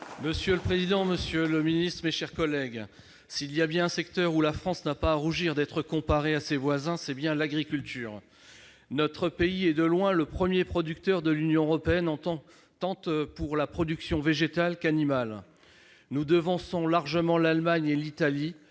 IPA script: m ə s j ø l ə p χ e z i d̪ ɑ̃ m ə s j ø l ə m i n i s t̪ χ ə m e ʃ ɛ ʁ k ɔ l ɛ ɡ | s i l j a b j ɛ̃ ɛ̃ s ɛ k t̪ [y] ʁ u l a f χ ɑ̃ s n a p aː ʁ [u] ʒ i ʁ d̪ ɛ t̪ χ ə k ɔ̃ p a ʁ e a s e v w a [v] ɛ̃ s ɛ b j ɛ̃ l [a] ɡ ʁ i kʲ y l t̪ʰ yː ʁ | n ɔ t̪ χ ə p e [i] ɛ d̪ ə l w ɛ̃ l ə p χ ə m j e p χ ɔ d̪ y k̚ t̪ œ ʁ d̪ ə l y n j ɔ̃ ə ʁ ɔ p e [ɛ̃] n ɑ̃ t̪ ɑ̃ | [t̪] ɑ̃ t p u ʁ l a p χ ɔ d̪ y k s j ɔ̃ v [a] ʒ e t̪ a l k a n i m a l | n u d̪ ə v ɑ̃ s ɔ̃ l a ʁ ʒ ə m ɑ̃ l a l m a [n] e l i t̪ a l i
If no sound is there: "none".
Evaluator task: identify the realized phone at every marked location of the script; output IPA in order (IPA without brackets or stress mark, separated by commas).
œ, u, z, a, i, ɛ, t̪, e, ɲ